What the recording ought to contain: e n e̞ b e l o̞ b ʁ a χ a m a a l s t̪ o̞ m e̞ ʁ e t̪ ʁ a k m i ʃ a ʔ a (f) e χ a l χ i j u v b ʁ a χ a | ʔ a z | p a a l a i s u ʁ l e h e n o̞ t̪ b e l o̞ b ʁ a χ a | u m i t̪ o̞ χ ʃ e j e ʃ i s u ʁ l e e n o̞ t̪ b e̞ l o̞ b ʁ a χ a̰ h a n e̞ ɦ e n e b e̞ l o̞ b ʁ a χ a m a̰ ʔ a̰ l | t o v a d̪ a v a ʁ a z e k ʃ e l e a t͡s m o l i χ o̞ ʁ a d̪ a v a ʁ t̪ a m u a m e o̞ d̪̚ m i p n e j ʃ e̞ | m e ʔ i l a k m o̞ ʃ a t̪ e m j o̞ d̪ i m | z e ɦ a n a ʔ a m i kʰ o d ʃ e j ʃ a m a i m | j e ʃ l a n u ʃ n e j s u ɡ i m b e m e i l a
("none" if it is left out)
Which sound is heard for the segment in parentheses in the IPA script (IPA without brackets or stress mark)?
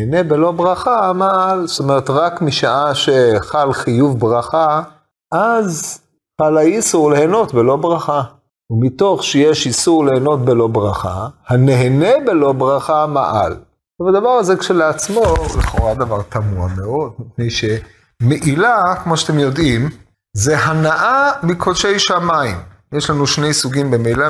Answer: ʃ